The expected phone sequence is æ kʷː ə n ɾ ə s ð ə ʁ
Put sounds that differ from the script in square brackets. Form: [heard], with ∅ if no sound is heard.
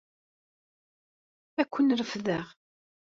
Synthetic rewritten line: æ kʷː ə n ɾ ə [f] ð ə ʁ